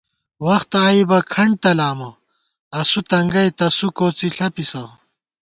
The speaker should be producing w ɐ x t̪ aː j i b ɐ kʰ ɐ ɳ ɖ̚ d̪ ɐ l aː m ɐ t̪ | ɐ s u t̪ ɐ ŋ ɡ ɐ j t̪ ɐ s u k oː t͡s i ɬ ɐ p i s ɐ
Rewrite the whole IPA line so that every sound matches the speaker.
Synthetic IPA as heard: w ɐ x t̪ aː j i b ɐ kʰ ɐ ɳ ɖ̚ t̪ ɐ l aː m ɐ | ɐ s u t̪ ɐ ŋ ɡ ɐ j t̪ ɐ s u k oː t͡s i ɬ ɐ p i s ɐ